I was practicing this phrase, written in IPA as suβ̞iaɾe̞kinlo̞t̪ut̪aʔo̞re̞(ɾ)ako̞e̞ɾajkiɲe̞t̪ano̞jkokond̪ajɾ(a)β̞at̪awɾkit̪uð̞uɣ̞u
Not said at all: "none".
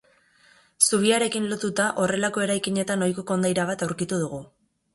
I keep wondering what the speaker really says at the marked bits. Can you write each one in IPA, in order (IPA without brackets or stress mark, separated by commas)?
l, a